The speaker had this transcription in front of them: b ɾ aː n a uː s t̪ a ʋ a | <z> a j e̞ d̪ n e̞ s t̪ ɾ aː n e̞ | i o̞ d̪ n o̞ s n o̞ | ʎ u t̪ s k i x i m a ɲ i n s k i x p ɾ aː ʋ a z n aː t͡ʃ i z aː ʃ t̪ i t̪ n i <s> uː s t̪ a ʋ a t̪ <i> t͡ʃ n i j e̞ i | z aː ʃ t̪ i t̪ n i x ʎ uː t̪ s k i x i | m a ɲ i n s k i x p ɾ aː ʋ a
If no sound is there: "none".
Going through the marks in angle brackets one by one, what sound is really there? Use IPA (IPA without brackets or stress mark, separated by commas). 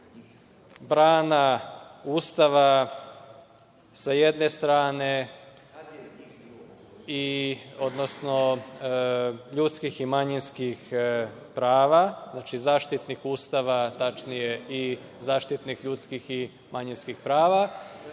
s, x, a